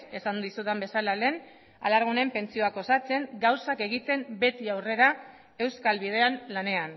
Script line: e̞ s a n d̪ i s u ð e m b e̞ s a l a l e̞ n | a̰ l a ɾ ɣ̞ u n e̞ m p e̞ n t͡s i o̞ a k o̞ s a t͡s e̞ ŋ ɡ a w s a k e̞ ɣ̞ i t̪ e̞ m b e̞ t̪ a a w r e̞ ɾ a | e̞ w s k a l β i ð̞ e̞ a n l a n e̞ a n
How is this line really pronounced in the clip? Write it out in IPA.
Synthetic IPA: e̞ s a n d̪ i s u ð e m b e̞ s a l a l e̞ n | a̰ l a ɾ ɣ̞ u n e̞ m p e̞ n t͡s i o̞ a k o̞ s a t͡s e̞ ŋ ɡ a w s a k e̞ ɣ̞ i t̪ e̞ m b e̞ t̪ i a w r e̞ ɾ a | e̞ w s k a l β i ð̞ e̞ a n l a n e̞ a n